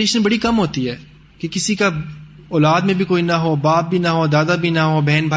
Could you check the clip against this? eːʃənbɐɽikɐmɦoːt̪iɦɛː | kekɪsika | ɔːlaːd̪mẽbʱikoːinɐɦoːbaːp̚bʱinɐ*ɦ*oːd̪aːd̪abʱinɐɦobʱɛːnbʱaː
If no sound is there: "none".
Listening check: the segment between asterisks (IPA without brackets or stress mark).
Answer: ɦ